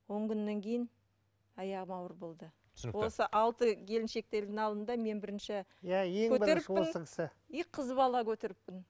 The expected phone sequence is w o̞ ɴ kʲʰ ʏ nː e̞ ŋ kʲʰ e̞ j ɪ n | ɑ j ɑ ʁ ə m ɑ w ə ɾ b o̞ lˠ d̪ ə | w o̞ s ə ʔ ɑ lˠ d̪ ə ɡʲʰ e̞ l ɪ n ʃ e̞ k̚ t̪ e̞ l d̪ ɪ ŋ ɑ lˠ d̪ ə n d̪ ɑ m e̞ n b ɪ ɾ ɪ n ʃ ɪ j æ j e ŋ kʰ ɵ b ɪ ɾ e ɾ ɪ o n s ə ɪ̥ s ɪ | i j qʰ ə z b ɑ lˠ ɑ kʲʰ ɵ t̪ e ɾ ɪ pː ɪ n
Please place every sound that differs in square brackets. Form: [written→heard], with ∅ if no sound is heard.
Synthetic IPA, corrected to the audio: w o̞ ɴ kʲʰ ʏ nː e̞ ŋ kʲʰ e̞ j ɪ n | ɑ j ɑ ʁ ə m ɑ w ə ɾ b o̞ lˠ d̪ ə | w o̞ s ə ʔ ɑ lˠ [d̪→t̪] ə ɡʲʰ e̞ l ɪ n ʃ e̞ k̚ t̪ e̞ l d̪ ɪ ŋ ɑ lˠ d̪ ə n d̪ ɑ m e̞ n b ɪ ɾ ɪ n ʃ ɪ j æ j e ŋ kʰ ɵ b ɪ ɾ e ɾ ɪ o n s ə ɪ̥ s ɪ | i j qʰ ə z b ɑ lˠ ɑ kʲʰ ɵ t̪ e ɾ ɪ pː ɪ n